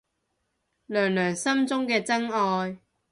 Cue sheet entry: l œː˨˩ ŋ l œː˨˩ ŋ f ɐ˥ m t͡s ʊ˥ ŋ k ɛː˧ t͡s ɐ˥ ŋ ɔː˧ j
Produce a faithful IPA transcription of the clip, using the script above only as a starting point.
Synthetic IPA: l œː˨˩ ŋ l œː˨˩ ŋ s ɐ˥ m t͡s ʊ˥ ŋ k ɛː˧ t͡s ɐ˥ ŋ ɔː˧ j